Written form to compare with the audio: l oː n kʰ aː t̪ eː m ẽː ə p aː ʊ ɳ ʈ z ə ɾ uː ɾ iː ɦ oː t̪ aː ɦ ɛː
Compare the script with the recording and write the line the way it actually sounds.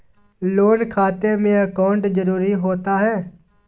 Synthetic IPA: l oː n kʰ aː t̪ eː m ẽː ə k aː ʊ ɳ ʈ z ə ɾ uː ɾ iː ɦ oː t̪ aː ɦ ɛː